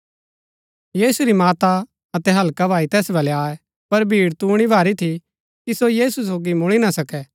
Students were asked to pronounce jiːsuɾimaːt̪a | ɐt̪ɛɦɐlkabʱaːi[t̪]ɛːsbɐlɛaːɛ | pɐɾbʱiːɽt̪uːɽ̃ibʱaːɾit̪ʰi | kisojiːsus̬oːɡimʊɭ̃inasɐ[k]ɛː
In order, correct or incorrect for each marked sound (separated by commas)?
correct, correct